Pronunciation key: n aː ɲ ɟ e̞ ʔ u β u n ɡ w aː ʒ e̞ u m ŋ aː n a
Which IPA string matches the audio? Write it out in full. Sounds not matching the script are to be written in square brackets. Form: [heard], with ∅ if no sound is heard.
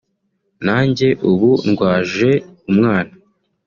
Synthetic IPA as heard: n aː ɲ ɟ e̞ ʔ u β u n ɡ w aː ʒ e̞ u m ŋ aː n a